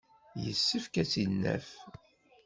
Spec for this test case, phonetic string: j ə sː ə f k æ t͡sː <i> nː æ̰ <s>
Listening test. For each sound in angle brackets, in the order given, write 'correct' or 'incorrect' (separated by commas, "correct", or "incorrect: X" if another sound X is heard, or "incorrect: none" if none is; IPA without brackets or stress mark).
correct, incorrect: f